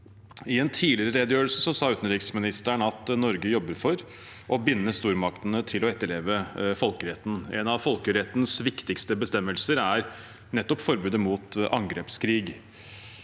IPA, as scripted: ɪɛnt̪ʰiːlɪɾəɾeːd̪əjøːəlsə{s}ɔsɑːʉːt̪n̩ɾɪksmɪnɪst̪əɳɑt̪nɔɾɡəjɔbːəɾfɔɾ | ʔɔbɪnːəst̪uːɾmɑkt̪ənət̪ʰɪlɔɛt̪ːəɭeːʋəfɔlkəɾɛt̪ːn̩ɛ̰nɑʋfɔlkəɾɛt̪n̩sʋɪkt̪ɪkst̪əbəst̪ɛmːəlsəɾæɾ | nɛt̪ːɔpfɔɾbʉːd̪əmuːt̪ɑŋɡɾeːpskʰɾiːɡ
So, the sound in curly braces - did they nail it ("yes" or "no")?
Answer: yes